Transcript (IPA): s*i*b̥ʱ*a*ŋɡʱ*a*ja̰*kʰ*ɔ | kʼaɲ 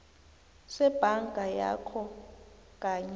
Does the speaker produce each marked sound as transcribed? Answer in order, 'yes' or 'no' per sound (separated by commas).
no, yes, yes, yes